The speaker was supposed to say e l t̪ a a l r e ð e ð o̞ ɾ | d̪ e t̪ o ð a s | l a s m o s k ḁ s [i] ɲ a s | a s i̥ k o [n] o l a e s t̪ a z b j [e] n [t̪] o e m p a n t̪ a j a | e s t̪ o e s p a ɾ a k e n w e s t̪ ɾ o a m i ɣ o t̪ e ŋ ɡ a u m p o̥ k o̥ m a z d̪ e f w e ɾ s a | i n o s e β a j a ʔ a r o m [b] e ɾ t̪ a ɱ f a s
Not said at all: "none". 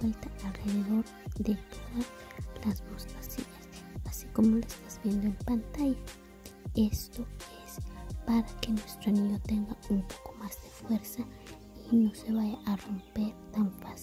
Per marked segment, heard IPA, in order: i, m, e, d̪, p

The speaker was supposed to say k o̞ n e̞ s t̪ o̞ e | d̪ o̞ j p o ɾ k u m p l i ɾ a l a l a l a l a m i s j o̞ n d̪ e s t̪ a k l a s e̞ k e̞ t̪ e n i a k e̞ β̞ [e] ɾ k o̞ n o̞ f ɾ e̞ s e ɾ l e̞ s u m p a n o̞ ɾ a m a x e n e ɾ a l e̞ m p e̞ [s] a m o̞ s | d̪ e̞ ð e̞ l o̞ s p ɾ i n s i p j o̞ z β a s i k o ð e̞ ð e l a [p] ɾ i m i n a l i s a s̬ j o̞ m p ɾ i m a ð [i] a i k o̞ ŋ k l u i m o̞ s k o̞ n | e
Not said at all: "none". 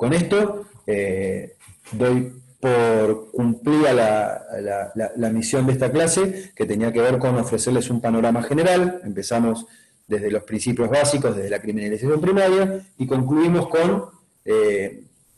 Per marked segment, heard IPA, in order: e, s, k, j

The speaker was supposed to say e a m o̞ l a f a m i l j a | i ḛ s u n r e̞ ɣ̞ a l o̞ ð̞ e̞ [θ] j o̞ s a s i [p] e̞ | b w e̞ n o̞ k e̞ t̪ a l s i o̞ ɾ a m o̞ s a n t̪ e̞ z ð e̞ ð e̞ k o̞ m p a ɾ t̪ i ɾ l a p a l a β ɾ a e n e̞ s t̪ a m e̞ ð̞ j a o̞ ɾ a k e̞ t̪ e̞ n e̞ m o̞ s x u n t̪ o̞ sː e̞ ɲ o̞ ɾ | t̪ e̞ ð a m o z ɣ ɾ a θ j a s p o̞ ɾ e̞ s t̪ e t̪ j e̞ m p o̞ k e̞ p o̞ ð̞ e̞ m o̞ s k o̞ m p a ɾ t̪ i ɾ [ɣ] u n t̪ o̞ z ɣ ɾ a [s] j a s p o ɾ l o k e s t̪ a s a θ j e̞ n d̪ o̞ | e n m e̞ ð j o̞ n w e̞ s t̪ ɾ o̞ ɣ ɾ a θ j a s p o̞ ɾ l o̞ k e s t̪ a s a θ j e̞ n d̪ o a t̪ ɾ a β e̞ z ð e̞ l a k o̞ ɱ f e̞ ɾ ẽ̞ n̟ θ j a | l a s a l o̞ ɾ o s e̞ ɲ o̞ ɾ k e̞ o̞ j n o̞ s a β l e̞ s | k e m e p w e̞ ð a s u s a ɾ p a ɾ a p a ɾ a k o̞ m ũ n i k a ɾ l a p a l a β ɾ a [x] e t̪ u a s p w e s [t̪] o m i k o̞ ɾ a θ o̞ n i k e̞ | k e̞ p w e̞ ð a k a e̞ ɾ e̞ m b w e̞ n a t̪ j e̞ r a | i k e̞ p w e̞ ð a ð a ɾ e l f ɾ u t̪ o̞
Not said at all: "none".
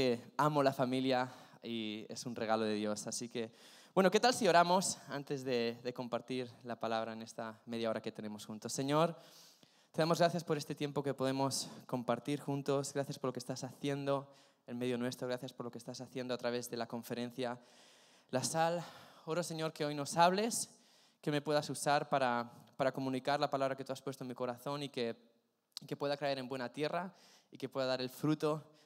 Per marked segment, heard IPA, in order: ð, k, x, θ, k, t̪

